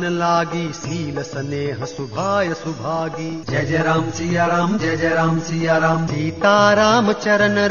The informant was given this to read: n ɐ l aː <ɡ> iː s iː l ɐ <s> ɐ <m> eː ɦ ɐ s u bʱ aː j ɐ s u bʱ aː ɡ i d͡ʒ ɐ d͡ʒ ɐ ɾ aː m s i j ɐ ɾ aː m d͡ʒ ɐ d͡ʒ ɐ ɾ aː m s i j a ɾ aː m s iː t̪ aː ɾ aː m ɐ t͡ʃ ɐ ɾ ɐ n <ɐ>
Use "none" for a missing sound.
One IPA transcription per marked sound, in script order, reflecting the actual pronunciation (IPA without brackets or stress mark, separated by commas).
ɡ, s, n, ɐ